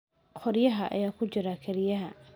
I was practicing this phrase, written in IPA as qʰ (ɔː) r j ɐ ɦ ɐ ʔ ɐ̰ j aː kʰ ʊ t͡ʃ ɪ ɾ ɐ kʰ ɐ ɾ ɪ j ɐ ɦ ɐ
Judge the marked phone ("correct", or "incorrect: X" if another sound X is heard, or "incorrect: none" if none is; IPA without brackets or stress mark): incorrect: ɔ